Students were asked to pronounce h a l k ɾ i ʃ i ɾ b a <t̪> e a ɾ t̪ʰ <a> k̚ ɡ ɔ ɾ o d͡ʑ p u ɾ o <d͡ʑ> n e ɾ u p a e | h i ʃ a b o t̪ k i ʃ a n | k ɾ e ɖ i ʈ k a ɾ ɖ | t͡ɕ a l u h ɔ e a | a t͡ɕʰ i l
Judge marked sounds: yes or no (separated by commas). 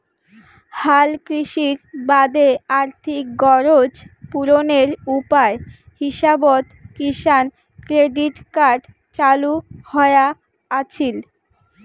no, no, no